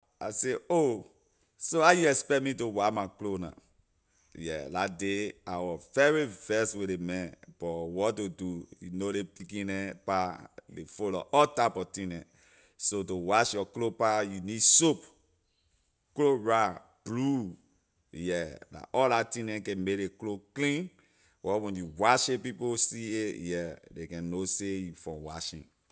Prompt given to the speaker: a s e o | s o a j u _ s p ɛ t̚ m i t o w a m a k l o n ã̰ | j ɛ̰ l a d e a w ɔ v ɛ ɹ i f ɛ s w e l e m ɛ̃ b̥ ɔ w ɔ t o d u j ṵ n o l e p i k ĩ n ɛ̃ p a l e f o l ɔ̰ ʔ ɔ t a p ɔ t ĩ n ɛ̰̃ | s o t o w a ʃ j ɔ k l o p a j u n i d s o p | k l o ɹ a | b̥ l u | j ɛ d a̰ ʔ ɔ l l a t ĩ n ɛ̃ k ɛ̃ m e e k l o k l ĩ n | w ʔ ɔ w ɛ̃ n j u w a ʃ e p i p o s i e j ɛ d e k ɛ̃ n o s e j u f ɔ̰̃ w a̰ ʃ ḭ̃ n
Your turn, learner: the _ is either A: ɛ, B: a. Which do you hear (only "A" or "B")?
A